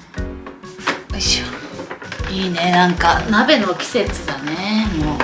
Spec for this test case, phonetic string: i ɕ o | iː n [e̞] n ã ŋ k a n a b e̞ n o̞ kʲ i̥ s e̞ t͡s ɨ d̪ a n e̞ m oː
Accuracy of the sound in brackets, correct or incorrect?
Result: correct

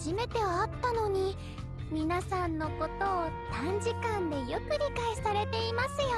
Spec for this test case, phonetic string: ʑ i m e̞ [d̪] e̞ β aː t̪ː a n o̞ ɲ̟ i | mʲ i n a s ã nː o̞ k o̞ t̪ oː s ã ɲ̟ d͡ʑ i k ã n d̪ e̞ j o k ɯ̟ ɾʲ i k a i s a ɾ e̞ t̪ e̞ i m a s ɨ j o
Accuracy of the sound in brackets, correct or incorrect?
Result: incorrect: t̪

